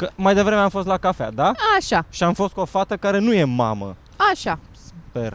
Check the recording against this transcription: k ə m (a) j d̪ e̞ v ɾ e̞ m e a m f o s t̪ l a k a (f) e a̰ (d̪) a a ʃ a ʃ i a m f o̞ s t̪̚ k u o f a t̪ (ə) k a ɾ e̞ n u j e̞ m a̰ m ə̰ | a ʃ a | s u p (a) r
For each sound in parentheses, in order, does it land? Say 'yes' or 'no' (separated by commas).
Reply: yes, yes, yes, yes, no